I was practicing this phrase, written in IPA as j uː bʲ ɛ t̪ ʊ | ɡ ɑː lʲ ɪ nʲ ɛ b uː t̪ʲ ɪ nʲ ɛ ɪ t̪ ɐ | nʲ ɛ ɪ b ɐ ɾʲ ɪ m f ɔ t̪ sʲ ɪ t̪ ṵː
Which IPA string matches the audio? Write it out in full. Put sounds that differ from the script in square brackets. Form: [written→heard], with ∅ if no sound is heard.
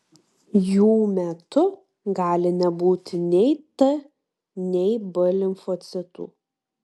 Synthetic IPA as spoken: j uː [bʲ→mʲ] ɛ t̪ ʊ | ɡ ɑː lʲ ɪ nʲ ɛ b uː t̪ʲ ɪ nʲ ɛ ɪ t̪ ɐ | nʲ ɛ ɪ b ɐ [ɾʲ→lʲ] ɪ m f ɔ t̪ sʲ ɪ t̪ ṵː